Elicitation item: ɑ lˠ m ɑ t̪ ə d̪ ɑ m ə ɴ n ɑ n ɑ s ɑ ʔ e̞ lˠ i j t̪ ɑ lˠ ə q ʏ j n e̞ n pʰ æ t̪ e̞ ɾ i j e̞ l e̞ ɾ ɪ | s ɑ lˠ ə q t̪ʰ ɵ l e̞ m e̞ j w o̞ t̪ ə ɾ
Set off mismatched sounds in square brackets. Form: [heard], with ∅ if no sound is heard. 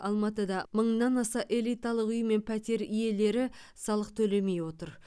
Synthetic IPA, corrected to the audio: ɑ lˠ m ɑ t̪ ə d̪ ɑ m ə ɴ n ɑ n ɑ s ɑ ʔ e̞ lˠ i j t̪ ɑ lˠ ə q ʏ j [m] e̞ n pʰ æ t̪ e̞ ɾ i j e̞ l e̞ ɾ ɪ | s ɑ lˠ ə q t̪ʰ ɵ l e̞ m e̞ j w o̞ t̪ ə ɾ